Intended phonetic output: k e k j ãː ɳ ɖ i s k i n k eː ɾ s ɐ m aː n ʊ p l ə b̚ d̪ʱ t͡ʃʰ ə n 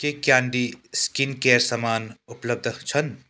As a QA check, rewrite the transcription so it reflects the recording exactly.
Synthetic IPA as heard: k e k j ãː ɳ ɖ i s k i n k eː ɾ s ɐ m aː n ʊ p l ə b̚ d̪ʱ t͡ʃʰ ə n